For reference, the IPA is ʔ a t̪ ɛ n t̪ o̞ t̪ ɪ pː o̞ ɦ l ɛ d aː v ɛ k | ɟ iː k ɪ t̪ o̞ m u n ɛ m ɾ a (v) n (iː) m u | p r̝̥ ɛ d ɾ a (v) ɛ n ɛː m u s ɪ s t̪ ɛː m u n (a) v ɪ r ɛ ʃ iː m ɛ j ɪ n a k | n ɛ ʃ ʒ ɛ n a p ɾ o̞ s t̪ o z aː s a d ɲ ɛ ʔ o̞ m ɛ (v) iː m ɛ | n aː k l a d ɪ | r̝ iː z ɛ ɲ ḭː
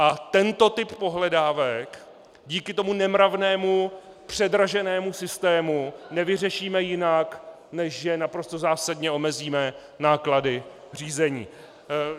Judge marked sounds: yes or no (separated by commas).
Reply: yes, no, no, no, no